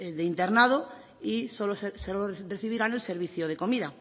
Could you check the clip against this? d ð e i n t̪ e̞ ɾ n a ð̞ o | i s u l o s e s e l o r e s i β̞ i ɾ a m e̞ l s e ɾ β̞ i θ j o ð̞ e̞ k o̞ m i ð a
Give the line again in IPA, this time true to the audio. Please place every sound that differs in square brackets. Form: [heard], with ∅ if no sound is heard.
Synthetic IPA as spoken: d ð e i n t̪ e̞ ɾ n a ð̞ o | i s [o] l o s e s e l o r e [θ] i β̞ i ɾ a [n] e̞ l s e ɾ β̞ i θ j o ð̞ e̞ k o̞ m i ð a